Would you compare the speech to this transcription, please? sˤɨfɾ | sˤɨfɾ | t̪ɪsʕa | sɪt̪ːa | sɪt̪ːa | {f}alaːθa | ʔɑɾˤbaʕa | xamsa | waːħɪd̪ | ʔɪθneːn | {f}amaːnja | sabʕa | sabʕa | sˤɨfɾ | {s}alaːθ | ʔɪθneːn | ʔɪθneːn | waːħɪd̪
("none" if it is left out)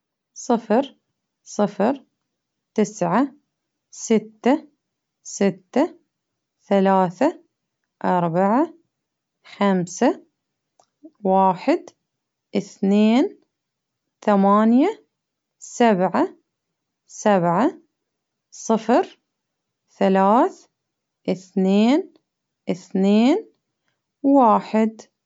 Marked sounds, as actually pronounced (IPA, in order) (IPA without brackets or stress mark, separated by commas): θ, θ, θ